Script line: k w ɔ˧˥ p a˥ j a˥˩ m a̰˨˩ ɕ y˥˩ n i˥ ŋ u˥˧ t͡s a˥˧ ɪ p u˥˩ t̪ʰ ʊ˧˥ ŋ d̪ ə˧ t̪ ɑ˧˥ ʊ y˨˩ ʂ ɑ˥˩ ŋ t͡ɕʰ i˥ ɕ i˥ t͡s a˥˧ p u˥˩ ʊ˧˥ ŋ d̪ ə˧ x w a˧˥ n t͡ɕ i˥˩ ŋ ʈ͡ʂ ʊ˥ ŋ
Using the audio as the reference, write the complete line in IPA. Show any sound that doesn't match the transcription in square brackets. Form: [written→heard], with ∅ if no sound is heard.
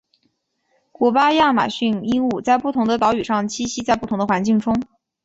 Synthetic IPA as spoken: k w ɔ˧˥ p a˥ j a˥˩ m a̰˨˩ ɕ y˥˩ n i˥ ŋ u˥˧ t͡s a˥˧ ɪ p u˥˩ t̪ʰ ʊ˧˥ ŋ d̪ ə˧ t̪ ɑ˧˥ ʊ y˨˩ ʂ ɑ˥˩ ŋ t͡ɕʰ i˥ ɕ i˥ t͡s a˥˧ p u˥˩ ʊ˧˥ ŋ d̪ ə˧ x w a˧˥ n t͡ɕ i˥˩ ŋ ʈ͡ʂ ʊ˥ ŋ